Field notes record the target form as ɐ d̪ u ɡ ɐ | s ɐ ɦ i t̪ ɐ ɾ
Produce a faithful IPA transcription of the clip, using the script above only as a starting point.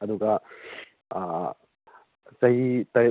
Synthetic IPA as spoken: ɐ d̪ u ɡ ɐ | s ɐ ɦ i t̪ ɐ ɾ